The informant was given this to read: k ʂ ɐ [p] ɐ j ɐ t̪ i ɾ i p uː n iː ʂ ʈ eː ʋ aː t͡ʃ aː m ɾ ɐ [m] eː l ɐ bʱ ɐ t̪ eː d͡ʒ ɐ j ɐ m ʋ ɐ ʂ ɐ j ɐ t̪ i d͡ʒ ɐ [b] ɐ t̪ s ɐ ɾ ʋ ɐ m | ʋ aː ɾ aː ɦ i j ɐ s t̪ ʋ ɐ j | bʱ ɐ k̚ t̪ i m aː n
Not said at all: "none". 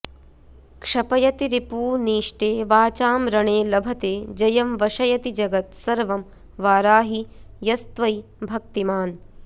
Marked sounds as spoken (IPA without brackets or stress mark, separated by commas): p, ɳ, ɡ